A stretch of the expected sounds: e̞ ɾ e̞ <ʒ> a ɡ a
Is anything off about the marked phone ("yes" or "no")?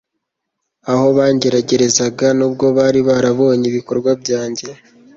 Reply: yes